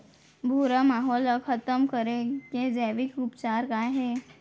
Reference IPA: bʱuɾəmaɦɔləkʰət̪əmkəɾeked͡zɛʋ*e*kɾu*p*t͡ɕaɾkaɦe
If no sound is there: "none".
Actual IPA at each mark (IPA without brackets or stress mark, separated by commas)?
i, p